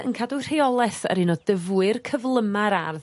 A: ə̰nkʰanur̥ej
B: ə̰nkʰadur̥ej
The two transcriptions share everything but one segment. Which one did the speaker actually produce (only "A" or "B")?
B